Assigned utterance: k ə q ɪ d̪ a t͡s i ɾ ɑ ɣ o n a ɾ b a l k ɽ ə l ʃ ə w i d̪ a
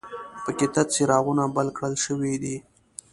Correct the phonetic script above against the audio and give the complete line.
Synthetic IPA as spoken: p ə k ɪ t̪ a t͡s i ɾ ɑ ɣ u n a b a l k ɽ ə l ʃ ə w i d̪ i